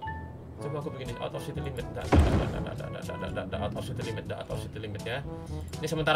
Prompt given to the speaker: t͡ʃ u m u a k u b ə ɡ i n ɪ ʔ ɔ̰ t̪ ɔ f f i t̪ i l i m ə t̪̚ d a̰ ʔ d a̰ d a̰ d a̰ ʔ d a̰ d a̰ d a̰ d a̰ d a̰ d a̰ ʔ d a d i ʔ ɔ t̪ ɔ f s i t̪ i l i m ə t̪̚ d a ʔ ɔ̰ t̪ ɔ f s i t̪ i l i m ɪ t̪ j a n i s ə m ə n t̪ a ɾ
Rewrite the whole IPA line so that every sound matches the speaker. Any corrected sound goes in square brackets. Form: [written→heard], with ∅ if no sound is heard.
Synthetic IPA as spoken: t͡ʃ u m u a k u b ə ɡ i n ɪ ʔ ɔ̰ t̪ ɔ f [f→s] i t̪ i l i m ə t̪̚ d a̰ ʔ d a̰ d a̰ d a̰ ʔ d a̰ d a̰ d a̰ d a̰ d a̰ d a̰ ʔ d a d [i→a] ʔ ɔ t̪ ɔ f s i t̪ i l i m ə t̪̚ d a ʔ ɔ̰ t̪ ɔ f s i t̪ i l i m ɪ t̪ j a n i s ə m ə n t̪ a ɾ